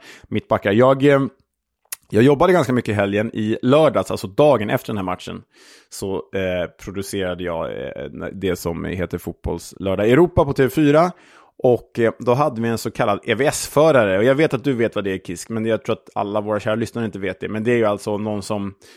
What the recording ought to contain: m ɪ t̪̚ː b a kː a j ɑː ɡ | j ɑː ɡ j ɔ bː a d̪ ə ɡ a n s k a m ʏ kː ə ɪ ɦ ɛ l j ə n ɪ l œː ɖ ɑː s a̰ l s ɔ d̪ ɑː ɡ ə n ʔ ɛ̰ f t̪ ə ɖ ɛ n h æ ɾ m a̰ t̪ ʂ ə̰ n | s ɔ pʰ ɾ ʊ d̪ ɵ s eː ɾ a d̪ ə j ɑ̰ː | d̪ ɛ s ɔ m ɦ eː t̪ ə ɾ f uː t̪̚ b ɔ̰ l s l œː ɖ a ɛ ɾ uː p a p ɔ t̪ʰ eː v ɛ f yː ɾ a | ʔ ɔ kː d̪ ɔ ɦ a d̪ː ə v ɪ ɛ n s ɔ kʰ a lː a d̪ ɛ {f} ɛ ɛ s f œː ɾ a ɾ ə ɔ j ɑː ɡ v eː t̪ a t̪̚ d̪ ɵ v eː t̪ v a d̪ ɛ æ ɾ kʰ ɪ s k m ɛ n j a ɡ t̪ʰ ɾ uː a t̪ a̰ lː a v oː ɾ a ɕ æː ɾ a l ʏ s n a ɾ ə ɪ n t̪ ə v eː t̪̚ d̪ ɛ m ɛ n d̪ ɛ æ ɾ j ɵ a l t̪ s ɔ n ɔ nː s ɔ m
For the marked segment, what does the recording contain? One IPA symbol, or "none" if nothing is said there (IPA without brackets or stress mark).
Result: v